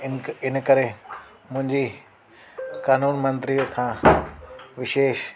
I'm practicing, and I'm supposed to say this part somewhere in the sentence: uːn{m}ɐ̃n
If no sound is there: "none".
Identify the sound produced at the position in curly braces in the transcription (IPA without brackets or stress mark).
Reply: m